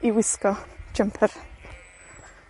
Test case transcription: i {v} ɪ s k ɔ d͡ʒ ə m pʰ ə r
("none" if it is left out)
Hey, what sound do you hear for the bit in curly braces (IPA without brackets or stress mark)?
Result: w